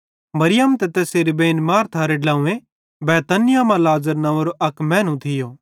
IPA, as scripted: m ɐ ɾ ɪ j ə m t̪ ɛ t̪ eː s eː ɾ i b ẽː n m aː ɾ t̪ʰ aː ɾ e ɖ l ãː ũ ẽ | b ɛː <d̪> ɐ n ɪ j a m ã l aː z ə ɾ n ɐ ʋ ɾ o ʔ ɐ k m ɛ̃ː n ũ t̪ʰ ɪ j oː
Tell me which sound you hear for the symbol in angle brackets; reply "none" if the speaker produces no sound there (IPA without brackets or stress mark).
t̪